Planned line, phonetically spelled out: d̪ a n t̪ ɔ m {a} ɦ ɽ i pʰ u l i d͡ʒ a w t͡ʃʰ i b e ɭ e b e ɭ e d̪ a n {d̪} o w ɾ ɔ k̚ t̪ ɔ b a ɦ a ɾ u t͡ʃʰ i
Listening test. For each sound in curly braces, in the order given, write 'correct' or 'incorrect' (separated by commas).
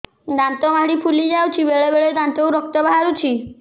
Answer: correct, incorrect